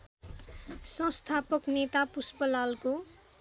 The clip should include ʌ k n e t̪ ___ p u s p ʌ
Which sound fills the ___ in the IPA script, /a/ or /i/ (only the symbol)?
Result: a